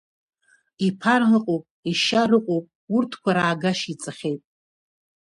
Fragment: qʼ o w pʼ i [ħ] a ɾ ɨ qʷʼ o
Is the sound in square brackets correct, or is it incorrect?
incorrect